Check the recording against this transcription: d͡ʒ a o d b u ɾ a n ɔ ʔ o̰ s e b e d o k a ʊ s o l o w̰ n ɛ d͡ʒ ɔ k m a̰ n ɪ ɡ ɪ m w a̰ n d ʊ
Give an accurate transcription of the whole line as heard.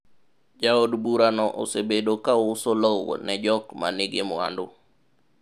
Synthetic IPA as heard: d͡ʒ a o d b u ɾ a n ɔ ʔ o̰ s e b e d o k a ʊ s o l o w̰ n ɛ d͡ʒ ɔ k m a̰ n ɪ ɡ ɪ m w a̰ n d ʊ